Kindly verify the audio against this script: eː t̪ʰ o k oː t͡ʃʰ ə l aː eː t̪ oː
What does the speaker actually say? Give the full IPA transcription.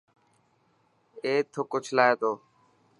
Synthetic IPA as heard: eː t̪ʰ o k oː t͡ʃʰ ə l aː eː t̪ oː